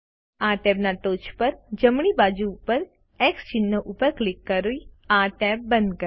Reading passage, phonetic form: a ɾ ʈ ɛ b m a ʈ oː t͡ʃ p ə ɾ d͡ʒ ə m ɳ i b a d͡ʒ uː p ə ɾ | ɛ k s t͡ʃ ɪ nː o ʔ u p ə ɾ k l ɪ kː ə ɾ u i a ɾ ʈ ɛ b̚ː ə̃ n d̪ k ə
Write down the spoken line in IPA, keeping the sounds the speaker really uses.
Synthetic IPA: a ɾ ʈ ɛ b n a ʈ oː t͡ʃ p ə ɾ d͡ʒ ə m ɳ i b a d͡ʒ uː p ə ɾ | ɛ k s t͡ʃ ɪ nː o ʔ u p ə ɾ k l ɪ kː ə ɾ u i a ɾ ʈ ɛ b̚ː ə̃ n d̪ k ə